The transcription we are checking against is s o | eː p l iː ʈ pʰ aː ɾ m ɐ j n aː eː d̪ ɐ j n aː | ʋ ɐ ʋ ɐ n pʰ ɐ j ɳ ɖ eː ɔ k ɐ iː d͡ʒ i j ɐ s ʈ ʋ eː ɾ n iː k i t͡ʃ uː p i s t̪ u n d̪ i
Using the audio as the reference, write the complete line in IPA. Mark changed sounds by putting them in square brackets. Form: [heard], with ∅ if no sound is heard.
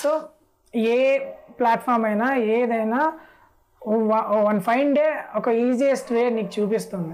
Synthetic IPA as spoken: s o | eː p l [aː] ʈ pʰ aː ɾ m ɐ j n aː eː d̪ ɐ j n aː | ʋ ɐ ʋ ɐ n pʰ ɐ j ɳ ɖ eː ɔ k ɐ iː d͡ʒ i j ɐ s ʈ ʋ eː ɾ n iː k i t͡ʃ uː p i s t̪ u n d̪ i